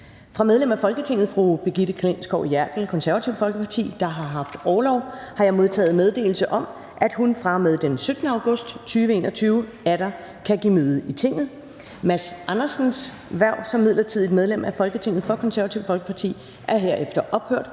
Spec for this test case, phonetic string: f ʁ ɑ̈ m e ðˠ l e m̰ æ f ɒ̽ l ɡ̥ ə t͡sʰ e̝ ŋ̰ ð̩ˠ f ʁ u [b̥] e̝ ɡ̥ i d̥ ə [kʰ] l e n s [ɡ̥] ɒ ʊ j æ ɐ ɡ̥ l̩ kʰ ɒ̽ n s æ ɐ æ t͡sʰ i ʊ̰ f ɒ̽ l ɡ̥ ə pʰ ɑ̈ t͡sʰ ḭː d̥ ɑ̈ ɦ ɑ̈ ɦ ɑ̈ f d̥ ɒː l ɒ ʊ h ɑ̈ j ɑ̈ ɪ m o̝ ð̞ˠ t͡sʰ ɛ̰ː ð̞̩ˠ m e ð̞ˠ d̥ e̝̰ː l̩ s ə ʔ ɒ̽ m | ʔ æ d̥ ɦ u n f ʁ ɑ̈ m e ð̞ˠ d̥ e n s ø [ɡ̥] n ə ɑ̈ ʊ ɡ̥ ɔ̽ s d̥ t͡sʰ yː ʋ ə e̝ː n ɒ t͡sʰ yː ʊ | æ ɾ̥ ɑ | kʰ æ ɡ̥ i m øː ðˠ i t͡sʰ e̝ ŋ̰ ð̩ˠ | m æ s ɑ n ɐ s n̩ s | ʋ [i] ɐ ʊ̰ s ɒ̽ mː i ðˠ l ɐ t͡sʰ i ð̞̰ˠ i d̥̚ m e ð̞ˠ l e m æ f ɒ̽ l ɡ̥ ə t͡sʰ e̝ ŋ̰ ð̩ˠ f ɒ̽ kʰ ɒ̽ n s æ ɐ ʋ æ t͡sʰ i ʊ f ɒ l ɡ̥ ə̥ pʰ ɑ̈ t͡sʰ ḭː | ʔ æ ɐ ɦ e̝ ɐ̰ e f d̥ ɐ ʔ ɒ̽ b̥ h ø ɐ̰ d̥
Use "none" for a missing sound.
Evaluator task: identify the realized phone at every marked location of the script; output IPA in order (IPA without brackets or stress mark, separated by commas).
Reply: b̥, kʰ, ɡ̥, d̥, æ